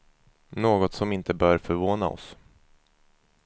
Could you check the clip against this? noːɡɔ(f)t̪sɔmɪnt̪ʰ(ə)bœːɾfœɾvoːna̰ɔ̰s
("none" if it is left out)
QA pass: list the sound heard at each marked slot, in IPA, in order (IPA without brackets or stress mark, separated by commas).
none, ə